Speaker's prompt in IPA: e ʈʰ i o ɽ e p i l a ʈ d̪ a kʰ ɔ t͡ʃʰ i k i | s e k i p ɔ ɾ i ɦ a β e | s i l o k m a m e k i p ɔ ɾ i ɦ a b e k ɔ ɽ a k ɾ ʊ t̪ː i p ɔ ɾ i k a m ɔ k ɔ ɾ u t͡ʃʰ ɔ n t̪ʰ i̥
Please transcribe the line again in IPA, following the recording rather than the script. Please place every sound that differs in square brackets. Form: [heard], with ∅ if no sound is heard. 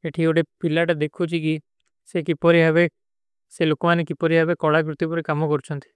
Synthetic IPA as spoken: e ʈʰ i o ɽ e p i l a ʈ d̪ [e] kʰ [u] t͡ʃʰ i k i | s e k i p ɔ ɾ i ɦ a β e | s [e] l o k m a [n] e k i p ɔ ɾ i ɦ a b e k ɔ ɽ a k ɾ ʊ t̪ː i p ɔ ɾ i k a m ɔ k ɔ ɾ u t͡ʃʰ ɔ n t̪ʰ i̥